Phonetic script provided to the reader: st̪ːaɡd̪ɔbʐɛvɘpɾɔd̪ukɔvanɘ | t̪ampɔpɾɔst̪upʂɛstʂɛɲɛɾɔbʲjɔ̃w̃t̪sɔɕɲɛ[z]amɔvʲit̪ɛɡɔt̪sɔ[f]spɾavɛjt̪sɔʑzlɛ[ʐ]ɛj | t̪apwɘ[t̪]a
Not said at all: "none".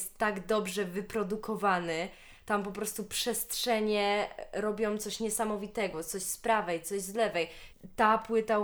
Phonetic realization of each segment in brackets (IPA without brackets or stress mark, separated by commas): s, ɕ, v, t̪